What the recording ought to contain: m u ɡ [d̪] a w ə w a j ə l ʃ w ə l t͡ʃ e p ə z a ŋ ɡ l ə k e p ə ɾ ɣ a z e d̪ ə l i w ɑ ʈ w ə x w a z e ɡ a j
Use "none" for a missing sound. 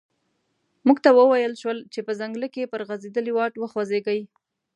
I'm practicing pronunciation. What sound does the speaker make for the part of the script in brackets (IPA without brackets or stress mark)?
t̪